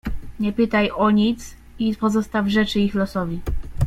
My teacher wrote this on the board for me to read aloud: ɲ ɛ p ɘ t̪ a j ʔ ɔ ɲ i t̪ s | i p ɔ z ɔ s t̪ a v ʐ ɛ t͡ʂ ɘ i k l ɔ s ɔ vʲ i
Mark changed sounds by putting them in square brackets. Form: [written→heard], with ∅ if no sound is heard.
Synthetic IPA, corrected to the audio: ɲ ɛ p ɘ t̪ a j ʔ ɔ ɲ i t̪ s | i p ɔ z ɔ s t̪ a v ʐ ɛ t͡ʂ ɘ i [k→x] l ɔ s ɔ vʲ i